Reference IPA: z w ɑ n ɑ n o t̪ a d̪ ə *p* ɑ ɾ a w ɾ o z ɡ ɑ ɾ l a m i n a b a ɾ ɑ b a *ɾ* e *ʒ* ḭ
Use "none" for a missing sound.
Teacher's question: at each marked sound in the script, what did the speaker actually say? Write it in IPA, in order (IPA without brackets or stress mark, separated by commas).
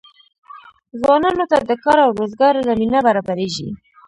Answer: k, ɾ, ʒ